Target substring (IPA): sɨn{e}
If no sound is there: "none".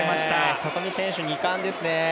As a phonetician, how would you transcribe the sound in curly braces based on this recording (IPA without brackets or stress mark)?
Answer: e